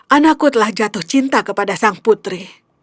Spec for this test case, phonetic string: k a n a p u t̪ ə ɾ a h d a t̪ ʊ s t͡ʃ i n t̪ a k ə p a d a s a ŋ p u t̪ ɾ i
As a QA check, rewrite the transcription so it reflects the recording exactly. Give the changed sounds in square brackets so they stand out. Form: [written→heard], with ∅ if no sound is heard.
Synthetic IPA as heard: [k→ʔ] a n a [p→k] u t̪ ə [ɾ→l] a h [d→d͡ʒ] a t̪ ʊ [s→h] t͡ʃ i n t̪ a k ə p a d a s a ŋ p u t̪ ɾ i